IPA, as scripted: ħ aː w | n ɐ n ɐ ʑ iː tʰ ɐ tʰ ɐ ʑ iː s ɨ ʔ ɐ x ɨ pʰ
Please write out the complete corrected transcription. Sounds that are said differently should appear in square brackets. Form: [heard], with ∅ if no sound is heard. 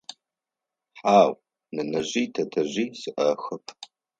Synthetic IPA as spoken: ħ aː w | n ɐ n ɐ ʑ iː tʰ ɐ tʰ ɐ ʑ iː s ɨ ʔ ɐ x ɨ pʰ